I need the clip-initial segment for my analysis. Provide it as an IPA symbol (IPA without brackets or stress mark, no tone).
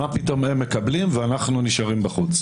a